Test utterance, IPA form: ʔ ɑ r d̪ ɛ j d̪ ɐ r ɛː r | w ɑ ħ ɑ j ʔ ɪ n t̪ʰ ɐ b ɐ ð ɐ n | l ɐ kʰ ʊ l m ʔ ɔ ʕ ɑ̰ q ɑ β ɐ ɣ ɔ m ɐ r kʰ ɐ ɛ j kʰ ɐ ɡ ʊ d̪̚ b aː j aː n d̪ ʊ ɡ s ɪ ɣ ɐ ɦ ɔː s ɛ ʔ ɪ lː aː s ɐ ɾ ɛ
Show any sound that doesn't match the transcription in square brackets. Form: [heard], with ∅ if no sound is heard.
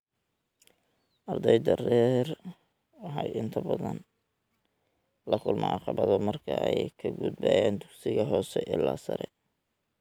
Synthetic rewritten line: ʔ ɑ r d̪ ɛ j d̪ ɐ r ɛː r | w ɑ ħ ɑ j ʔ ɪ n t̪ʰ ɐ b ɐ ð ɐ n | l ɐ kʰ ʊ l m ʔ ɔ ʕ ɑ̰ q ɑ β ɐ [ð] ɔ m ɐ r kʰ ɐ ɛ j kʰ ɐ ɡ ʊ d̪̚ b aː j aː n d̪ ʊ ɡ s ɪ ɣ ɐ ɦ ɔː s ɛ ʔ ɪ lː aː s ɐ ɾ ɛ